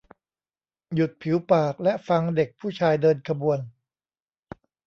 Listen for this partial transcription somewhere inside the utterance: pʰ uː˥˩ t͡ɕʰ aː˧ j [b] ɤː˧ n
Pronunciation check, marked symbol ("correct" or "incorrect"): incorrect